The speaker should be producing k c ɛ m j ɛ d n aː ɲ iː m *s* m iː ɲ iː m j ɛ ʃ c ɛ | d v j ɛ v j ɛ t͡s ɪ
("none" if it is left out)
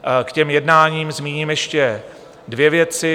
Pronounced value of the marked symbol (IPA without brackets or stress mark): z